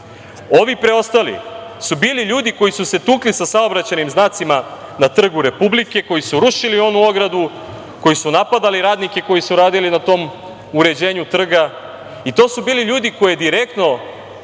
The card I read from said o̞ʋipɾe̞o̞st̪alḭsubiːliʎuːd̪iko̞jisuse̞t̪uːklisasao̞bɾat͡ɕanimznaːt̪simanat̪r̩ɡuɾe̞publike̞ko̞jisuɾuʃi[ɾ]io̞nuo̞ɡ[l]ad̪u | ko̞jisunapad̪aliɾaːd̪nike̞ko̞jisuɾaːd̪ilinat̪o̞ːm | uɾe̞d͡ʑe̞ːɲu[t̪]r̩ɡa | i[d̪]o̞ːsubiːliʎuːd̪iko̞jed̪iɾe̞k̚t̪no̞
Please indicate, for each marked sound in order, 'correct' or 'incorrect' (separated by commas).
incorrect, incorrect, correct, incorrect